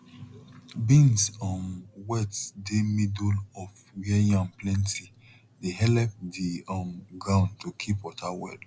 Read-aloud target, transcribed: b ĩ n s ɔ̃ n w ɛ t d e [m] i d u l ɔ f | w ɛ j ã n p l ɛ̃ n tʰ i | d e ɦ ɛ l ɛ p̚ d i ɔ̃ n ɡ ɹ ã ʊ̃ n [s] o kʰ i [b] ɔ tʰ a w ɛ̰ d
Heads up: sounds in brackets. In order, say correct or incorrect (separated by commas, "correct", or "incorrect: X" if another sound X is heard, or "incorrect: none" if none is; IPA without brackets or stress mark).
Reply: correct, incorrect: t, incorrect: p